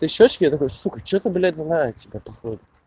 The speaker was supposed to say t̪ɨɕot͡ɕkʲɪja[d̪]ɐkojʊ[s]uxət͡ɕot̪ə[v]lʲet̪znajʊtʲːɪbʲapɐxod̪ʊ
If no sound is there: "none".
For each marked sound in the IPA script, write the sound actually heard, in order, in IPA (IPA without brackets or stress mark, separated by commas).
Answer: t̪, s, b